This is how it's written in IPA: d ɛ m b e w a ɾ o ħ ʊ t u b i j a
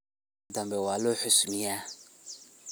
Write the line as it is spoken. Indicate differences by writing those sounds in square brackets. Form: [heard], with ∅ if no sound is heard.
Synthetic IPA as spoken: d [a] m b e w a [l] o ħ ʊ [s] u [m] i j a